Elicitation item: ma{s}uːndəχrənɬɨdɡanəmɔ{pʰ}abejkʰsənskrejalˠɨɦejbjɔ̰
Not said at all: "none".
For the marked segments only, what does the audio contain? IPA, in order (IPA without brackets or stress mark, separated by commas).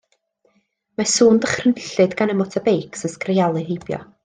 s, tʰ